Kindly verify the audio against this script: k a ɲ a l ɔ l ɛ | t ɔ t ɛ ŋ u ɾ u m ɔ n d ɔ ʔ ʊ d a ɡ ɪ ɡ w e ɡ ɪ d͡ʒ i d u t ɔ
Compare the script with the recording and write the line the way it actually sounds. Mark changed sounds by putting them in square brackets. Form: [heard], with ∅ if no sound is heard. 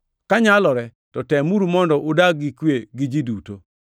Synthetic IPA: k a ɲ a l ɔ [ɾ] ɛ | t ɔ t ɛ [m] u ɾ u m ɔ n d ɔ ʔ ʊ d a ɡ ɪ [k] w e ɡ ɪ d͡ʒ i d u t [o]